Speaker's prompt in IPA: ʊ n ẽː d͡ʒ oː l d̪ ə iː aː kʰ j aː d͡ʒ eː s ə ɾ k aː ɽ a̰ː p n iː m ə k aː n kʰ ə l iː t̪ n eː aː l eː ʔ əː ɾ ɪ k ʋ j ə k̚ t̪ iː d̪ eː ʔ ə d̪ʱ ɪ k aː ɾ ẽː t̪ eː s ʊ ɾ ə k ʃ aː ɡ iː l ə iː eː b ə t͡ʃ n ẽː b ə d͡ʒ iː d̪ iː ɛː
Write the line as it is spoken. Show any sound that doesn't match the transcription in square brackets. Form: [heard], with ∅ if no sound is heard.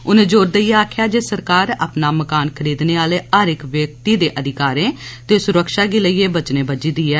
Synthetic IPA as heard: ʊ n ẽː d͡ʒ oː [ɾ] d̪ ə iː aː kʰ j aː d͡ʒ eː s ə ɾ k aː [ɾ] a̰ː p n [aː] m ə k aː n kʰ ə [ɾ] iː [d̪] n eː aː l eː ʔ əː ɾ ɪ k ʋ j ə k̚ t̪ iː d̪ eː ʔ ə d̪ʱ ɪ k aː ɾ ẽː t̪ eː s ʊ ɾ ə k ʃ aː ɡ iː l ə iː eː b ə t͡ʃ n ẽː b ə d͡ʒ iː d̪ iː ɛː